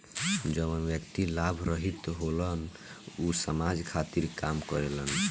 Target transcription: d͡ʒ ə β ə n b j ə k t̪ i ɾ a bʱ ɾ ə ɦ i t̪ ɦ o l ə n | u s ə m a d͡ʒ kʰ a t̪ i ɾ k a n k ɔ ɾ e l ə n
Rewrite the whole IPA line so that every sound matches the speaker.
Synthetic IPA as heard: d͡ʒ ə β ə n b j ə k t̪ i l a bʱ ɾ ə ɦ i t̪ ɦ o l ə n | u s ə m a d͡ʒ kʰ a t̪ i ɾ k a m k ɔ ɾ e l ə n